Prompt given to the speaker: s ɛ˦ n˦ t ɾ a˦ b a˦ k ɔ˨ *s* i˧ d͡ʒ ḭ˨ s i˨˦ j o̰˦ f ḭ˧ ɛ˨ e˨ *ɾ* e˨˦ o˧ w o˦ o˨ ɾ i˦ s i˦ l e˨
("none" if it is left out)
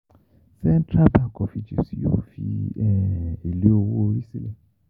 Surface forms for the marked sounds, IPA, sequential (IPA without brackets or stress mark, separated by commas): f, l